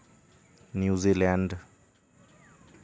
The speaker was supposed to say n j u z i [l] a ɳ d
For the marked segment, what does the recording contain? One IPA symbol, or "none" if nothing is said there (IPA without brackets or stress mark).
l